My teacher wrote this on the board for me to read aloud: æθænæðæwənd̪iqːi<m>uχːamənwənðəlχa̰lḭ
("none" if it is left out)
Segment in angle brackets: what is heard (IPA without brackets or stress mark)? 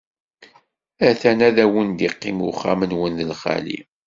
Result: m